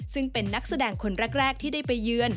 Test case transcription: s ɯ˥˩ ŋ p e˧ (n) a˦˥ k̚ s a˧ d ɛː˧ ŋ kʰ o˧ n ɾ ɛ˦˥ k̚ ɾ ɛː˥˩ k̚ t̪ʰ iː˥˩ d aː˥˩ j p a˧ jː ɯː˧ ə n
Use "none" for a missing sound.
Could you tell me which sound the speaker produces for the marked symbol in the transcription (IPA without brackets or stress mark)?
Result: nː